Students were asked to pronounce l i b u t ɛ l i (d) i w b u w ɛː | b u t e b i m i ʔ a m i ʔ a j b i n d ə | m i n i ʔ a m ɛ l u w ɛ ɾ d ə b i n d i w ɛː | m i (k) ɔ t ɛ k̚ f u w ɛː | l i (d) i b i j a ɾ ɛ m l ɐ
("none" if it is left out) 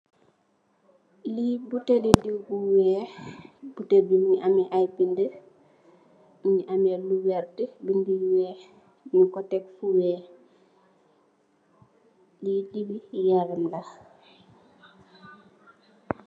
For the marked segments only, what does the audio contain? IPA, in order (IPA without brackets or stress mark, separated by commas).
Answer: d, k, d